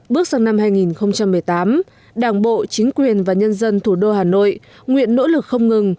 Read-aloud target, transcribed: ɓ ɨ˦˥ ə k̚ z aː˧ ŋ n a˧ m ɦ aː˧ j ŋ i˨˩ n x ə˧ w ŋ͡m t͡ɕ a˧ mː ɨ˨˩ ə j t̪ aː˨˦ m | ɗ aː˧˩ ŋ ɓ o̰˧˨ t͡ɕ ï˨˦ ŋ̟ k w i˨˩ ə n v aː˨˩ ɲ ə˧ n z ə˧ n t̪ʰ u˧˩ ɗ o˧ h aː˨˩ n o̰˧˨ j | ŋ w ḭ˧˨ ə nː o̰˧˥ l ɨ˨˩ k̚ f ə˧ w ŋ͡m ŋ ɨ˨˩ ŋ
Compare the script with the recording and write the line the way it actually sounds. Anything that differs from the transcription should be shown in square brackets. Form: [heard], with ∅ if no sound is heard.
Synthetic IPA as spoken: ɓ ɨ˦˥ ə k̚ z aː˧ ŋ n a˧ m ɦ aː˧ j ŋ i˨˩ n x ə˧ w ŋ͡m t͡ɕ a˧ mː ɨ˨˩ ə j t̪ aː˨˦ m | ɗ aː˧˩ ŋ ɓ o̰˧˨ t͡ɕ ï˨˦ ŋ̟ k w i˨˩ ə n v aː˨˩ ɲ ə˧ n z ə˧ n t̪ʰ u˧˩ ɗ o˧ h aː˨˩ n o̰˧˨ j | ŋ w ḭ˧˨ ə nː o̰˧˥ l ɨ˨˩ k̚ [x] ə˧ w ŋ͡m ŋ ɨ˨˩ ŋ